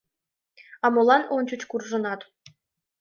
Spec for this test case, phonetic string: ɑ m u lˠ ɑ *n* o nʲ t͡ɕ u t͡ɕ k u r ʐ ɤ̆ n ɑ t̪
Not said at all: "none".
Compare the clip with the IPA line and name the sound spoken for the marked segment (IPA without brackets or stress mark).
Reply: n